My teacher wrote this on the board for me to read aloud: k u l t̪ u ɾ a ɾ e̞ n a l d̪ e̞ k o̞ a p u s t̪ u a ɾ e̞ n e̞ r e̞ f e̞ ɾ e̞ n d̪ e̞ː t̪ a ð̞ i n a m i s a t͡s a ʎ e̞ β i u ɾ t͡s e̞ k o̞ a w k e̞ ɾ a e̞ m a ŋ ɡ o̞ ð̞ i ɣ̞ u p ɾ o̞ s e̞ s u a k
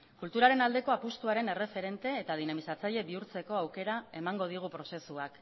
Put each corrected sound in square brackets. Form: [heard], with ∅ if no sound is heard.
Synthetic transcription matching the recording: k u l t̪ u ɾ a ɾ e̞ n a l d̪ e̞ k o̞ a p u s t̪ u a ɾ e̞ n e̞ r e̞ f e̞ ɾ e̞ n [t̪] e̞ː t̪ a ð̞ i n a m i s a t͡s a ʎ e̞ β i u ɾ t͡s e̞ k o̞ a w k e̞ ɾ a e̞ m a ŋ ɡ o̞ ð̞ i ɣ̞ u p ɾ o̞ s e̞ s u a k